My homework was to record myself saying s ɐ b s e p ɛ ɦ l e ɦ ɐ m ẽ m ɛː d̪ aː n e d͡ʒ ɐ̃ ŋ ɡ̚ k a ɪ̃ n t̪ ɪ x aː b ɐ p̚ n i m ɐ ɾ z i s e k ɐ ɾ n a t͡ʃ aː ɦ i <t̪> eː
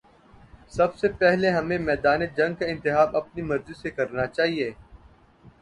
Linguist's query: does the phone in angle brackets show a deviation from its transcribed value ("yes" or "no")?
yes